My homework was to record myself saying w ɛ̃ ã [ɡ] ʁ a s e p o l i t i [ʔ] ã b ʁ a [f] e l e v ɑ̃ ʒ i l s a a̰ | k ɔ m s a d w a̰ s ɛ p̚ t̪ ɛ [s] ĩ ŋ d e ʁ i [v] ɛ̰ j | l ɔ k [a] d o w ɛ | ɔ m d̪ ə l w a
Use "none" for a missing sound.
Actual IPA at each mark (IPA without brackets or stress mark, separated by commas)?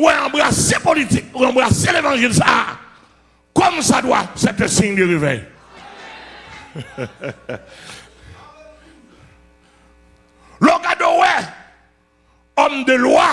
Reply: b, k, s, s, v, a